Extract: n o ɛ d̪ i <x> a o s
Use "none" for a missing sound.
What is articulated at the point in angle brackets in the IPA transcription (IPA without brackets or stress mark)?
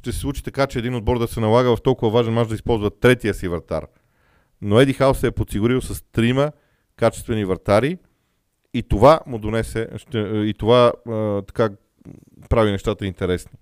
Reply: x